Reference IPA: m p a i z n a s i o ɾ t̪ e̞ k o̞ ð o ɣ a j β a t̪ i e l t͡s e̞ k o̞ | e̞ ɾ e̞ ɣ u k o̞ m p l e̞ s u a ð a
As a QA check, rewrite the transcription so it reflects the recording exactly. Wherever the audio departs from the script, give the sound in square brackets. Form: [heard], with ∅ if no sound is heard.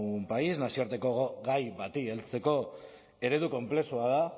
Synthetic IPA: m p a i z n a s i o ɾ t̪ e̞ k o̞ [ɣ] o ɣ a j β a t̪ i e l t͡s e̞ k o̞ | e̞ ɾ e̞ [ð] u k o̞ m p l e̞ s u a ð a